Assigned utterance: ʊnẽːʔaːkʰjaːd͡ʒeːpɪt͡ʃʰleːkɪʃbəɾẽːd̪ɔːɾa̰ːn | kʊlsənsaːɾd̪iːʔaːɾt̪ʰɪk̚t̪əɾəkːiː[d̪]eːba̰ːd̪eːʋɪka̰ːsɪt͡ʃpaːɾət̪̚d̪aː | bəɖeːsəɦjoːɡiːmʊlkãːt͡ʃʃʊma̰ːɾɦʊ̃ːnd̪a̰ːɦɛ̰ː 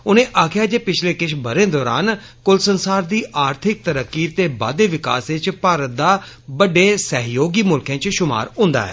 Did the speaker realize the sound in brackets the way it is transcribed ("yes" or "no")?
no